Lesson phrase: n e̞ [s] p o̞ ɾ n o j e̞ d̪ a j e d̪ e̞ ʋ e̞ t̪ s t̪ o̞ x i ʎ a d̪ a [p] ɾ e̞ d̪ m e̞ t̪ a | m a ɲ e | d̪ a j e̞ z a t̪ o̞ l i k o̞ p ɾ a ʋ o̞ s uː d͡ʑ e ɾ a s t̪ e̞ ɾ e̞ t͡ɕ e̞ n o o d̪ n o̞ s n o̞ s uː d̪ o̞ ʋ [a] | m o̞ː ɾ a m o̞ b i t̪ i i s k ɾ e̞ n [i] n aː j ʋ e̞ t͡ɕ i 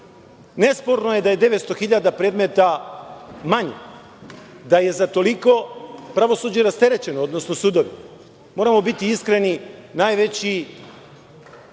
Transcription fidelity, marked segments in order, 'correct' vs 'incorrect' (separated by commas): correct, correct, incorrect, correct